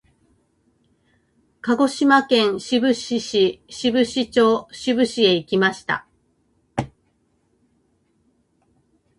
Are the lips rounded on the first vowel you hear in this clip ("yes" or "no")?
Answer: no